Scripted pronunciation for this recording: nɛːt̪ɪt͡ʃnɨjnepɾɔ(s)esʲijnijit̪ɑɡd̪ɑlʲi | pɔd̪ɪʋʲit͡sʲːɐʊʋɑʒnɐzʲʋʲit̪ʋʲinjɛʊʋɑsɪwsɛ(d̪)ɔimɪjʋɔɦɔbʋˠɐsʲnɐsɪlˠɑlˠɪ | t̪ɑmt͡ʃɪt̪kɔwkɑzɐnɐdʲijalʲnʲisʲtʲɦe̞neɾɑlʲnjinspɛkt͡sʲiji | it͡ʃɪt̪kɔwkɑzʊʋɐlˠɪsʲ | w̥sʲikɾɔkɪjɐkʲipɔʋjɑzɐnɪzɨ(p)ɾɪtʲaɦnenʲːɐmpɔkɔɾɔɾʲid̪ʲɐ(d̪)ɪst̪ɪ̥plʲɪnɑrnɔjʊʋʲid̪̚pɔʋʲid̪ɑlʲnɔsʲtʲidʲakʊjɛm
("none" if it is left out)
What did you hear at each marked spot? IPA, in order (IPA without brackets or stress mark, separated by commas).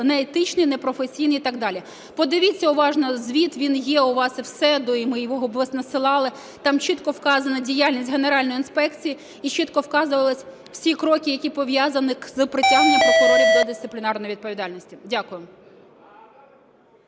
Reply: f, d̪, p, d̪